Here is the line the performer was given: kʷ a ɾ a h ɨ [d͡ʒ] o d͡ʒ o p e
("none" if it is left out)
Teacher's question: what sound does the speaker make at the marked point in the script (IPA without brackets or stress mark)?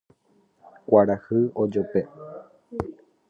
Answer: none